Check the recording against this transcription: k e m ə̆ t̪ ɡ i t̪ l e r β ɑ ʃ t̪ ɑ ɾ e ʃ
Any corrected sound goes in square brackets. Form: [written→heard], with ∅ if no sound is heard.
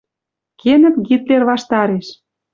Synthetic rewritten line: k e [m→n] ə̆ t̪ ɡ i t̪ l e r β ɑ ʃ t̪ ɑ ɾ e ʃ